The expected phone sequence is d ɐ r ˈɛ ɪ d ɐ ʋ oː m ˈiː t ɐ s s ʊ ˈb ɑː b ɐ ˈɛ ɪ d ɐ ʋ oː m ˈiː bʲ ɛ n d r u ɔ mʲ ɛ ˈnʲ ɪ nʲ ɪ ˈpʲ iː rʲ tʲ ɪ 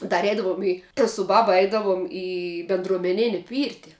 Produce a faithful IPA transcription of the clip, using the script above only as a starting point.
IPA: d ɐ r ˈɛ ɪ d ɐ ʋ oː m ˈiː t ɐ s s ʊ ˈb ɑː b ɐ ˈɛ ɪ d ɐ ʋ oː m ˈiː bʲ ɛ n d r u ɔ mʲ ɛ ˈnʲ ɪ nʲ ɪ ˈpʲ iː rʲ tʲ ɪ